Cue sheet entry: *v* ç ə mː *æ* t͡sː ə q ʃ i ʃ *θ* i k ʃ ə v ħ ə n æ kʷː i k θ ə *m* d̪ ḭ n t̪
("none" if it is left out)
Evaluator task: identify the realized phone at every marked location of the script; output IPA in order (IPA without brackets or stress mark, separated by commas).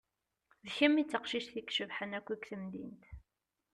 ð, i, θ, m